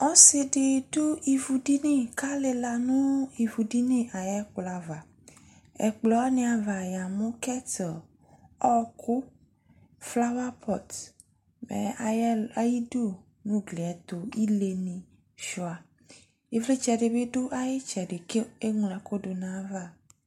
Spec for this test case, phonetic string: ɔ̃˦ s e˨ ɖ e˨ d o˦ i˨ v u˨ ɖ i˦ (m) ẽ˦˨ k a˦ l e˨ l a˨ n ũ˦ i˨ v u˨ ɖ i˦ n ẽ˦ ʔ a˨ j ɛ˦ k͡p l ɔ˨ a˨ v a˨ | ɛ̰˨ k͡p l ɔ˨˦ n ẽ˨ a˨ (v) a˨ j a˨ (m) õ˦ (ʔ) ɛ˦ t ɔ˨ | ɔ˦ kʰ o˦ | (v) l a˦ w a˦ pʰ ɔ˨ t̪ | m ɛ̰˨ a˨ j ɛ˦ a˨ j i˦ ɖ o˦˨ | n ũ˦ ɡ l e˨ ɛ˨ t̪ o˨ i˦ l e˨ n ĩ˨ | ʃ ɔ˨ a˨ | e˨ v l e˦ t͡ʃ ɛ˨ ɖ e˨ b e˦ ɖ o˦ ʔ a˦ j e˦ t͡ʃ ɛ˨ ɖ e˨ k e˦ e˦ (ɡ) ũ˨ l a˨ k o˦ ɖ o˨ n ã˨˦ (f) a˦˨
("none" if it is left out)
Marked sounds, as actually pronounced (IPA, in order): n, v, m, k, f, ŋ, v

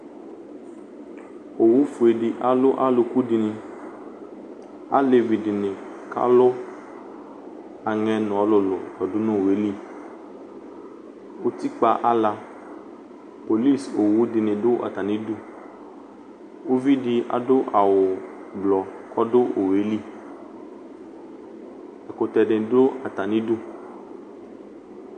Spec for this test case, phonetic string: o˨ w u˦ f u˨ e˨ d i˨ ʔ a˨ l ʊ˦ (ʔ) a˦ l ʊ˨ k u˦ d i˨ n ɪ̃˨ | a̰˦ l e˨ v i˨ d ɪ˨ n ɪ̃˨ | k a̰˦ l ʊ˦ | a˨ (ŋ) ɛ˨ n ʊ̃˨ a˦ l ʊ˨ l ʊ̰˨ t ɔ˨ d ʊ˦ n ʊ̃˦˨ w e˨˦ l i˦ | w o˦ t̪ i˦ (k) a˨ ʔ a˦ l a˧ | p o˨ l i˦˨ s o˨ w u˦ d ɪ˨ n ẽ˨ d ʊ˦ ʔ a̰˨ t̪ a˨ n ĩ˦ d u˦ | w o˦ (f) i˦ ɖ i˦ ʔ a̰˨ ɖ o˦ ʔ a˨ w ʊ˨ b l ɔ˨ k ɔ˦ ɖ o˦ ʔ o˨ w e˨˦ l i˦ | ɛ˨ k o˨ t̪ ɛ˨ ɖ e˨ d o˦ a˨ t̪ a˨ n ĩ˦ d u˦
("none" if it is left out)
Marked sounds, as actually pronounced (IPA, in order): ʔ, ŋ, k͡p, v

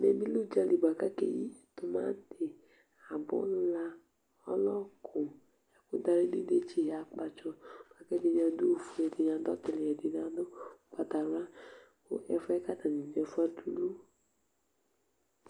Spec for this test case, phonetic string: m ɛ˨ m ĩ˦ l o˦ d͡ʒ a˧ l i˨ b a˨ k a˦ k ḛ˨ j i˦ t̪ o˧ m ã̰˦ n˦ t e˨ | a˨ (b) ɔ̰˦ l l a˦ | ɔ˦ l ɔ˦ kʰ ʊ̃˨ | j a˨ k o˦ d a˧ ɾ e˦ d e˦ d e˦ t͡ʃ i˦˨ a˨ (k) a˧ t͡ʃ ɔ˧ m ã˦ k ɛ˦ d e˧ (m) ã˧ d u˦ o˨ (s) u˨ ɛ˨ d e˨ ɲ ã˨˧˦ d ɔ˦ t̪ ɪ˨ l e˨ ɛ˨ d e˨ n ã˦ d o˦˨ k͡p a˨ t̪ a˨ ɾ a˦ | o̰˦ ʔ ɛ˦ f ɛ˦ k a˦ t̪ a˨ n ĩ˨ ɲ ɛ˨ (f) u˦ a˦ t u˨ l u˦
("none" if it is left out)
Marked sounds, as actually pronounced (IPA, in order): b, k͡p, ɲ, f, f

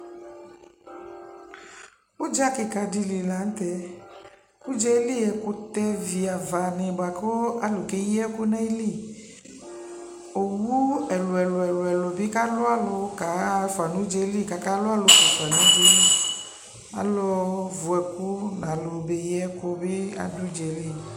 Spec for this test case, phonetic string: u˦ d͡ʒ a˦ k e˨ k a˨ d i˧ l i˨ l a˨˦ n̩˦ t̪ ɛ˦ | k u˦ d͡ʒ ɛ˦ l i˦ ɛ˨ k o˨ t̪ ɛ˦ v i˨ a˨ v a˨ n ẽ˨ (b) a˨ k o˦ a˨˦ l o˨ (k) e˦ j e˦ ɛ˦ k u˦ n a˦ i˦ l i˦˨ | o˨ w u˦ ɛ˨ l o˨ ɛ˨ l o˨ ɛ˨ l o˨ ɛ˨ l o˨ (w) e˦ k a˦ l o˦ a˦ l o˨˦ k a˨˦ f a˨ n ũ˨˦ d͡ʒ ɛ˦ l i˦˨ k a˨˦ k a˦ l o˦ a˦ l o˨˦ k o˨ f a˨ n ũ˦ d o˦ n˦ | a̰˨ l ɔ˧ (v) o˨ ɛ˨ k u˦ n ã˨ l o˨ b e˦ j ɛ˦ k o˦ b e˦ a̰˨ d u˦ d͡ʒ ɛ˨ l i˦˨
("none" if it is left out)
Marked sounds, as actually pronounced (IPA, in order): b, k, b, v

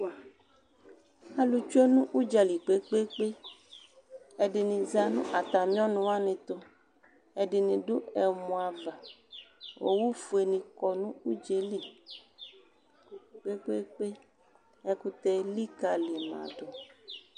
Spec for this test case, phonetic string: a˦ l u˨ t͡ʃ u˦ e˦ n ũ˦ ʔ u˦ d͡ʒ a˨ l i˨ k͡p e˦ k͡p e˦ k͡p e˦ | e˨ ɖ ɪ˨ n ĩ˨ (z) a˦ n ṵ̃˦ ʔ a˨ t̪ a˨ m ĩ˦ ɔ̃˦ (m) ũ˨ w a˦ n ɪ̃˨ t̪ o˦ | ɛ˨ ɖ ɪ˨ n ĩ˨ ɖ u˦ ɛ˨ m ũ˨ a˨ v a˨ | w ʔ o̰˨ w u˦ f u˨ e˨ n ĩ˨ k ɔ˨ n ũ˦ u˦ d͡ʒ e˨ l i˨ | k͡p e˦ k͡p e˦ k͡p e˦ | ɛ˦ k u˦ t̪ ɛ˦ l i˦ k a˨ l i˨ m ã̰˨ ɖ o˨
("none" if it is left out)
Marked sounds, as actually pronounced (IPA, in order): z, n

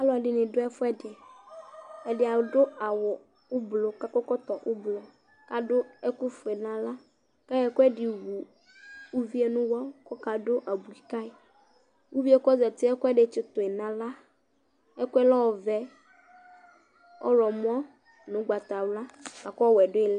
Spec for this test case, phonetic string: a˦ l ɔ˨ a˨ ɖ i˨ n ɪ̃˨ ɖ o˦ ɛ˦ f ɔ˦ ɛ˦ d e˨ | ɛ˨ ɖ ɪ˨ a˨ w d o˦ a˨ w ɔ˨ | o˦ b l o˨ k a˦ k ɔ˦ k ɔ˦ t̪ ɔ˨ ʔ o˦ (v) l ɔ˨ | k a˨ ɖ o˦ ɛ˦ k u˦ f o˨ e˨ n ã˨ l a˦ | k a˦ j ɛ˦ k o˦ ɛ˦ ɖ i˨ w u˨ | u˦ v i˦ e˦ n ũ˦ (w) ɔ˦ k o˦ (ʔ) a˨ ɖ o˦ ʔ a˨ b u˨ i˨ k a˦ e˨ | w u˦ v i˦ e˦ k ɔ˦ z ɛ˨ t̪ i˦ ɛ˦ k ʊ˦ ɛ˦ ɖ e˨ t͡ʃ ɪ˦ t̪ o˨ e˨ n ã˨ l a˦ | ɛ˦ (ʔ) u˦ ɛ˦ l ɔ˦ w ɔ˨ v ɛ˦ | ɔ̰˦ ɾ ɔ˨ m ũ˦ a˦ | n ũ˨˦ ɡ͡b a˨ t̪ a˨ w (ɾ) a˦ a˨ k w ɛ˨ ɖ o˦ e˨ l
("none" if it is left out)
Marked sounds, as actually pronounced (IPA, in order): b, w, k, k, l

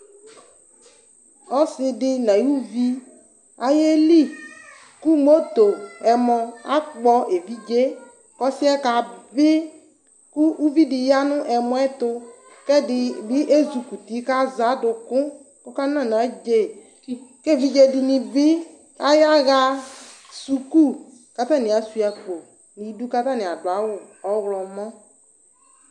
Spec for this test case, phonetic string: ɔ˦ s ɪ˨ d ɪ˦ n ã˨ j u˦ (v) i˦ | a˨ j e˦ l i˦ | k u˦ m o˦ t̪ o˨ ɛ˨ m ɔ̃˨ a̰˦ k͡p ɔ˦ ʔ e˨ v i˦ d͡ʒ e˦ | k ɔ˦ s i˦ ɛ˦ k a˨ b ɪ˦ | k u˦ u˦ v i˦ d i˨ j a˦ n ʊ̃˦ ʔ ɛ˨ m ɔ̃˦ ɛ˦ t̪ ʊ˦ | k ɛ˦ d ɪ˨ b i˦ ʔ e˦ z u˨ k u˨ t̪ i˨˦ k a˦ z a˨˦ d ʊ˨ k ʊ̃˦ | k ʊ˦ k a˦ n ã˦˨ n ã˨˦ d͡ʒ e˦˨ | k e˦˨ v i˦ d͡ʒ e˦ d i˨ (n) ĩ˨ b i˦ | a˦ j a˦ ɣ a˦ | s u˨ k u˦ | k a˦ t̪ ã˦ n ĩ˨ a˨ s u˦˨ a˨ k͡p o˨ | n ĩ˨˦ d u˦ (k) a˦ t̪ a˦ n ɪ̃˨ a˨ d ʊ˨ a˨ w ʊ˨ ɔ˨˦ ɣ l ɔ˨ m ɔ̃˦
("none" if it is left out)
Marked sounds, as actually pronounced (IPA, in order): v, n, k

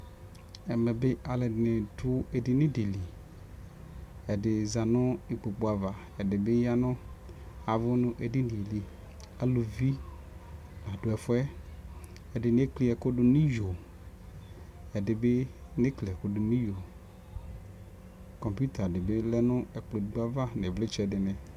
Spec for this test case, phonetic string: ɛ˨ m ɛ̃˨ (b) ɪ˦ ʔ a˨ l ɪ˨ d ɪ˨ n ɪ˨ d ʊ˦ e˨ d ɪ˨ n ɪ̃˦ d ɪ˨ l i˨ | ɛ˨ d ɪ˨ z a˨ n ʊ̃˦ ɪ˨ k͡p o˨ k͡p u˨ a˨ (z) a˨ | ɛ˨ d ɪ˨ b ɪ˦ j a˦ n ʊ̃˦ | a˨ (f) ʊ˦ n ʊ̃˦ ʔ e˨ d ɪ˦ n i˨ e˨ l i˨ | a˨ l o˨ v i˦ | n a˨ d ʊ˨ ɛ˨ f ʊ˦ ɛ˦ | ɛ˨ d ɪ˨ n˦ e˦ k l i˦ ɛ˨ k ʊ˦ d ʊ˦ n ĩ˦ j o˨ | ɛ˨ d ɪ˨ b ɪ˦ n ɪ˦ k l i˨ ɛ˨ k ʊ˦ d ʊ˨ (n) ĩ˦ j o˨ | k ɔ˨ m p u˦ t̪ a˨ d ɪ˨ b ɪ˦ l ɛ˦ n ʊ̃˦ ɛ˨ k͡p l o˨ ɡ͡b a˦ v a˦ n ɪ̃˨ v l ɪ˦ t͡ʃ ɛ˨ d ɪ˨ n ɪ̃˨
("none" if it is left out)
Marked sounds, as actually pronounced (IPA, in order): b, v, v, n

